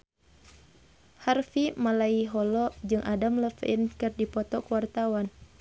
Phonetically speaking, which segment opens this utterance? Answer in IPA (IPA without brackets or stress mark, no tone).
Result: h